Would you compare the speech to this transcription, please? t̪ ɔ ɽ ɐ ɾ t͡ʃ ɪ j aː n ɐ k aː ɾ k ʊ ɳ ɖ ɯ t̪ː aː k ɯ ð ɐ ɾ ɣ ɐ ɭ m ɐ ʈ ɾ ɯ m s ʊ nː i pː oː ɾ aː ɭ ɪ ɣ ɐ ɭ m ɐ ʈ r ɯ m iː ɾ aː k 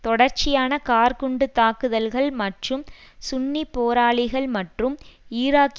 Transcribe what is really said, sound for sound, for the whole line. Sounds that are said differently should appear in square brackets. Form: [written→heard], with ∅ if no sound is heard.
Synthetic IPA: t̪ ɔ ɽ ɐ ɾ t͡ʃ ɪ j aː n ɐ k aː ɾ k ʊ ɳ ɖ ɯ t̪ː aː k ɯ ð ɐ [ɾ→l] ɣ ɐ ɭ m ɐ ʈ [ɾ→r] ɯ m s ʊ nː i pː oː ɾ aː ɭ ɪ ɣ ɐ ɭ m ɐ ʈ r ɯ m iː ɾ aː k